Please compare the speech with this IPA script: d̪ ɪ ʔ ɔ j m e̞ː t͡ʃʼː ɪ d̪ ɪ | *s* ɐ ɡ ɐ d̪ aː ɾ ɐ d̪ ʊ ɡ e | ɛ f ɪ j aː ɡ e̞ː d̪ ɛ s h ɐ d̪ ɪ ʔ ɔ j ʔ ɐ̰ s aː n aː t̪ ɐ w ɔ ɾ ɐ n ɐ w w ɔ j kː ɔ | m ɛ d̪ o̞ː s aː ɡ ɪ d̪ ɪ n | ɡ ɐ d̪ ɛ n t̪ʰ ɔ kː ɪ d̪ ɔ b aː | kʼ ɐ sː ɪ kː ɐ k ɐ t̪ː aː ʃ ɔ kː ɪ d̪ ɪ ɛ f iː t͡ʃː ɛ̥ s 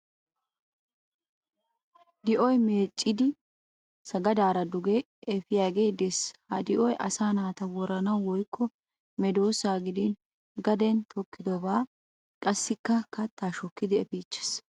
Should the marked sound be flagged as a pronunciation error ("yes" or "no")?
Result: no